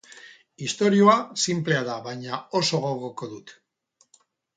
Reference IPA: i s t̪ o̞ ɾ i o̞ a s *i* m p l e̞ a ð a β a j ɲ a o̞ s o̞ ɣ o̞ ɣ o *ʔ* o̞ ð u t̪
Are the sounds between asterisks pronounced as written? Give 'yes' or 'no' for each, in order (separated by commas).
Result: yes, no